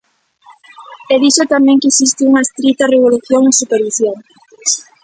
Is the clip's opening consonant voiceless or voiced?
voiced